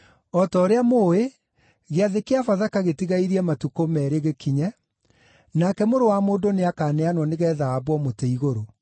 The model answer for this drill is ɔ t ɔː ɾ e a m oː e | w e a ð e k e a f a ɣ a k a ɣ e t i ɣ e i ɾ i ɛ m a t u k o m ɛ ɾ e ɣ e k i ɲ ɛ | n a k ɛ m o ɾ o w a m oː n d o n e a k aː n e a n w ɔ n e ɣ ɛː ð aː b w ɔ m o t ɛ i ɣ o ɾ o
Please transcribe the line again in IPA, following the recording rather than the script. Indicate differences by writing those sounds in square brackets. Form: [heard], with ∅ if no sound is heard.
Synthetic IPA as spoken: ɔ t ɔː ɾ e a m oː e | [ɣ] e a ð e k e a f a [ð] a k a ɣ e t i ɣ [a] i ɾ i ɛ m a t u k o m ɛ ɾ e ɣ e k i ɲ ɛ | n a k ɛ m o ɾ o w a m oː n d o n e a k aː n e a n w ɔ n e ɣ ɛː ð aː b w ɔ m o t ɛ i ɣ o ɾ o